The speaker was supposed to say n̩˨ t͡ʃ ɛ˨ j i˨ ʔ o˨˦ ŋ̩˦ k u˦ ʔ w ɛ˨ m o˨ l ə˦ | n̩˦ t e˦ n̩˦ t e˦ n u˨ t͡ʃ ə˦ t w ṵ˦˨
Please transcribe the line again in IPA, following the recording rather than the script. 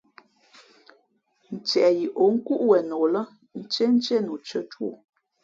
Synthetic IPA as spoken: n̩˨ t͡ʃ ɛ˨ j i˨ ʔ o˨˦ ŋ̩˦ k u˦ ʔ w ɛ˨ n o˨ l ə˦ | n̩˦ t͡ʃ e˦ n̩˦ t͡ʃ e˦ n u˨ t͡ʃ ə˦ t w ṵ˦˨